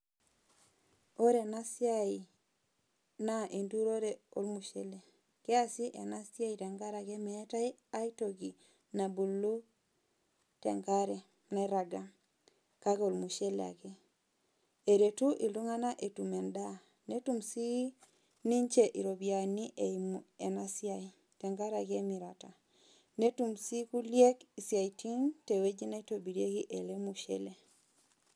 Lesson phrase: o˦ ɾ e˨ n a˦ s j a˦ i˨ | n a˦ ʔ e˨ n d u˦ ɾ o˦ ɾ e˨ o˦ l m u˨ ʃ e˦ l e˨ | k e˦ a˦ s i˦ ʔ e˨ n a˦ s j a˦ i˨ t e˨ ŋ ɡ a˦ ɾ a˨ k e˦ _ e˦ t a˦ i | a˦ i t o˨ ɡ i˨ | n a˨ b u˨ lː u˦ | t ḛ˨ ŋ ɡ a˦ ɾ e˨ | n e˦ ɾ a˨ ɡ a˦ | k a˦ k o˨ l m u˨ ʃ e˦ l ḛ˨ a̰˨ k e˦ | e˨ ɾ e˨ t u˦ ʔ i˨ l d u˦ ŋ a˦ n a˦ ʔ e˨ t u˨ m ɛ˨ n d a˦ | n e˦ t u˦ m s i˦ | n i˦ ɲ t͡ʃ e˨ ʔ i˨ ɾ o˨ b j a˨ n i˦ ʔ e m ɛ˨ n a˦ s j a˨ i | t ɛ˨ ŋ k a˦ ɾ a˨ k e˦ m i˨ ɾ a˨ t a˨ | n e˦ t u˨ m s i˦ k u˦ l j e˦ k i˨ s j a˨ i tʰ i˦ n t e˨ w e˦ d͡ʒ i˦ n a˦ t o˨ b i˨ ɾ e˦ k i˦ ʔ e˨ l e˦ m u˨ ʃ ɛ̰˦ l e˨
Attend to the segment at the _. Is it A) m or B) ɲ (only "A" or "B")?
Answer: A